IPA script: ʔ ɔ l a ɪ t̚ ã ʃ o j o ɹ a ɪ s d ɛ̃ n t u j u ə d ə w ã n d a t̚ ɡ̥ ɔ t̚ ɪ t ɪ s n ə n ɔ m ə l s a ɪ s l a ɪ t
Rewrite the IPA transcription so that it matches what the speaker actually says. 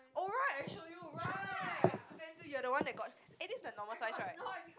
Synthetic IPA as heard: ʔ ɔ ɹ a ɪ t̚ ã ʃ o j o ɹ a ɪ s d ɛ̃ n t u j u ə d ə w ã n d ɛ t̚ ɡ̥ ɔ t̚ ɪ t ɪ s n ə n ɔ m ə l s a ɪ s ɹ a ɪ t